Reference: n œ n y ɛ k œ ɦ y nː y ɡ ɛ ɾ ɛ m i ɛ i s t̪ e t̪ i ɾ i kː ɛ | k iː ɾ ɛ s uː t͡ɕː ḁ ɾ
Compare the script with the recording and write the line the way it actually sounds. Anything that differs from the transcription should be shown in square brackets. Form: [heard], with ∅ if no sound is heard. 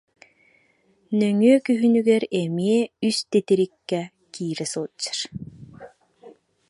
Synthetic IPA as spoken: n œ [ŋ] y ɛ k [y] ɦ y [n] y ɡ ɛ ɾ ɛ m i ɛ [y] s t̪ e t̪ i ɾ i kː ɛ | k iː ɾ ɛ s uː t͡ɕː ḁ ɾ